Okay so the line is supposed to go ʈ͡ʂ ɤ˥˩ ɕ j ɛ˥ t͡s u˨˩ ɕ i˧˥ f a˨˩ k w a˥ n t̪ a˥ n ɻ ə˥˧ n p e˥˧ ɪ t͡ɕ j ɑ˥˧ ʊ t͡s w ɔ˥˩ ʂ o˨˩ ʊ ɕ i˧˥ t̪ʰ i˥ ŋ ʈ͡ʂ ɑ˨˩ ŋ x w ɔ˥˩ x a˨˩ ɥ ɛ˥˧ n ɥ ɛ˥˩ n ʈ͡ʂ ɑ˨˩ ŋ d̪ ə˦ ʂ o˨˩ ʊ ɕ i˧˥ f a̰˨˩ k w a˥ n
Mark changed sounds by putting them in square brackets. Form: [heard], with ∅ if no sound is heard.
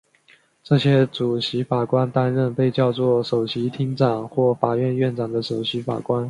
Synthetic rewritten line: ʈ͡ʂ ɤ˥˩ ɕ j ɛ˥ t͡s u˨˩ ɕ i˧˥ f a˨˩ k w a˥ n t̪ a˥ n ɻ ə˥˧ n p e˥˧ ɪ t͡ɕ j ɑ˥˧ ʊ t͡s w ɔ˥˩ ʂ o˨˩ ʊ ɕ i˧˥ t̪ʰ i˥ ŋ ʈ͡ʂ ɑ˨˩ ŋ x w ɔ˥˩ [f] a˨˩ ɥ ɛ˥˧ n ɥ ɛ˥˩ n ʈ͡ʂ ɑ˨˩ ŋ d̪ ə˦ ʂ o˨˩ ʊ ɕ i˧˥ f a̰˨˩ k w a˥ n